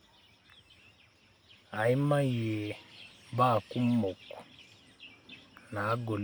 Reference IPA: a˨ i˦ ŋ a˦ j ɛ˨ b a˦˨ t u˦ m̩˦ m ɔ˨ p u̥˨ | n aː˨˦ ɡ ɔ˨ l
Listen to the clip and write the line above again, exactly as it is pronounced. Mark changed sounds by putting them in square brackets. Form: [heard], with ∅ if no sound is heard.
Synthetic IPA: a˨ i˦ [m] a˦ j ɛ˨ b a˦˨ [k] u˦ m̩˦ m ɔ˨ [k] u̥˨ | n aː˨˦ ɡ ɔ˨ l